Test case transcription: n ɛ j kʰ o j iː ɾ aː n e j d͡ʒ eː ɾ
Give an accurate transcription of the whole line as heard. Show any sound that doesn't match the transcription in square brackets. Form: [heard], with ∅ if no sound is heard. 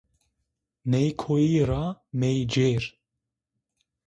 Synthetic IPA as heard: n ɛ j kʰ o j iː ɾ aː [m] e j d͡ʒ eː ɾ

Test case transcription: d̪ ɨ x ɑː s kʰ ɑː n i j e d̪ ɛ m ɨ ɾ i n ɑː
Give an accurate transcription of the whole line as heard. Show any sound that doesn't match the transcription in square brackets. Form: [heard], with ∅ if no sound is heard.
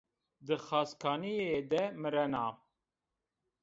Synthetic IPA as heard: d̪ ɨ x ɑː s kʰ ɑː n i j e d̪ ɛ m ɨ ɾ [ɛ] n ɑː

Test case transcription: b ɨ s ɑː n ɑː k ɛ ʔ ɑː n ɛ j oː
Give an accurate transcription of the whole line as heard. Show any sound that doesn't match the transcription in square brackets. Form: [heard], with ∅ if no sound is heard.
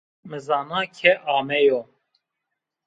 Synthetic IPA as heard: [m] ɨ [z] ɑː n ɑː [kʰ] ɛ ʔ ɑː [m] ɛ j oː

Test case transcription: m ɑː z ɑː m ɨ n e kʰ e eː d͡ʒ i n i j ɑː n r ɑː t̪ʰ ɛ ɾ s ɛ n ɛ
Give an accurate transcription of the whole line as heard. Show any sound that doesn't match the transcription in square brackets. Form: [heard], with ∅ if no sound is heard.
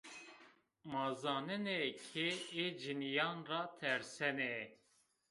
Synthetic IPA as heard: m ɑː z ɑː [n] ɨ n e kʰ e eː d͡ʒ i n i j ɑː n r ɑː t̪ʰ ɛ ɾ s ɛ n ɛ

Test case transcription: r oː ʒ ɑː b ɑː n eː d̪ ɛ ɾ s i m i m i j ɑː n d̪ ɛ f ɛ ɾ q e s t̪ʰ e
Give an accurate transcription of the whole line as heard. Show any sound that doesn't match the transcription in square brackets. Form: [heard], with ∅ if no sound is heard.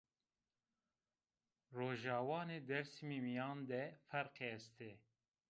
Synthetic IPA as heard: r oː ʒ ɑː [w] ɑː n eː d̪ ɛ ɾ s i m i m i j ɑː n d̪ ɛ f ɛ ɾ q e s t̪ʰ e

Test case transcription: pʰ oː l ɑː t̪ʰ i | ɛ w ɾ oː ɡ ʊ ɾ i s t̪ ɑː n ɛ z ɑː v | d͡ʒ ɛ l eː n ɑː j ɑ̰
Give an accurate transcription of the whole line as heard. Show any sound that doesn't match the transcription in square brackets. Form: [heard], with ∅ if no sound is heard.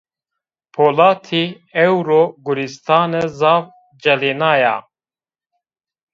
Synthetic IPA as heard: pʰ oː l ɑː t̪ʰ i | ɛ w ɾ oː ɡ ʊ ɾ i s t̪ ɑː n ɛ z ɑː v | d͡ʒ ɛ l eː n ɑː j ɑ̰

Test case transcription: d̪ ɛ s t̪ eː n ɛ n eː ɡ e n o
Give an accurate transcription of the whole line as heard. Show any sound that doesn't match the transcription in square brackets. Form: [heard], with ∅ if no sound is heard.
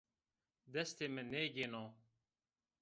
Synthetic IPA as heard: d̪ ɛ s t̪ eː [m] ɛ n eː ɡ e n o

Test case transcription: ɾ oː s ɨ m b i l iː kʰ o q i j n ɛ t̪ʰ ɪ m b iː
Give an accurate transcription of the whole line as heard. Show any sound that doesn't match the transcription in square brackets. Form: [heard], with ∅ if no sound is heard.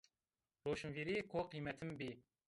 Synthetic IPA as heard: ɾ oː [ʃ] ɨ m [v] i [ɾ] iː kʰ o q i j [m] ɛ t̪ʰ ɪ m b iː

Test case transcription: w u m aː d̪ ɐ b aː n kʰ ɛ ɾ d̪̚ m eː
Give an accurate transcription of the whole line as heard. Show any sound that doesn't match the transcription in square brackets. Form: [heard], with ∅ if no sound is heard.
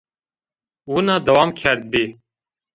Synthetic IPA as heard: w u [n] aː d̪ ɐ [w] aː [m] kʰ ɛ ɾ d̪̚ [b] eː

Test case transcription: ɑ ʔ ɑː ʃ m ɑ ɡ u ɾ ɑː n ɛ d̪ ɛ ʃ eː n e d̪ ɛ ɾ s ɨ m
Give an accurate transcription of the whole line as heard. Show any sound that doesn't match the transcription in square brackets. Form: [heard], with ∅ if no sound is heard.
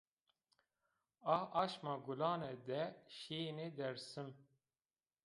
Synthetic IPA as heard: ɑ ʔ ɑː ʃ m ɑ ɡ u [l] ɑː n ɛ d̪ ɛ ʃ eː n e d̪ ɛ ɾ s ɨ m

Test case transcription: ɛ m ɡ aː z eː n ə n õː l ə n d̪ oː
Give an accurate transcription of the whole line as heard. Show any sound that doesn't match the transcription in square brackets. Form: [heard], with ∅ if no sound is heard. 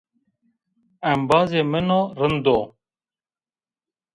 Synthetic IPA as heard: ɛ m [b] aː z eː [m] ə n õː [ɾ] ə n d̪ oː

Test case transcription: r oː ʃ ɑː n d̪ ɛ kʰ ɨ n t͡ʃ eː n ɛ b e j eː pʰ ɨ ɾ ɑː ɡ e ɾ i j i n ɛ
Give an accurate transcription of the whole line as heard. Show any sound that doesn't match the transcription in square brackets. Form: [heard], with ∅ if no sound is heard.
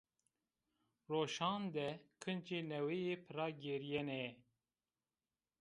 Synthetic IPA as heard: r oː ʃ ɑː n d̪ ɛ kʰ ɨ n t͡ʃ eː n ɛ [w] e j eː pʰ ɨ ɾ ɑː ɡ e ɾ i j [ɛ] n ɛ

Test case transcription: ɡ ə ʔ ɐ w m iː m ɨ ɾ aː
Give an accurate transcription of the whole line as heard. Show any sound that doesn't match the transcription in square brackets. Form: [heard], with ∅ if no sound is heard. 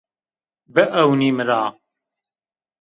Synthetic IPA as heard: [b] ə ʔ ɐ w [n] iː m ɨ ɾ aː

